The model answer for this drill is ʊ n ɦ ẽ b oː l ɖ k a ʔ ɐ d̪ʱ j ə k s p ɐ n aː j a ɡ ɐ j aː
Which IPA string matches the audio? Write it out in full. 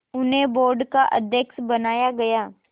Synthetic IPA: ʊ n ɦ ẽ b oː ɾ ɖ k a ʔ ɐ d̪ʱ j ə k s b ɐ n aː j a ɡ ɐ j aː